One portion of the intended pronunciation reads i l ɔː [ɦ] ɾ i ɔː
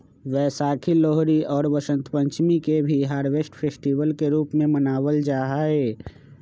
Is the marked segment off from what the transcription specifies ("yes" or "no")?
no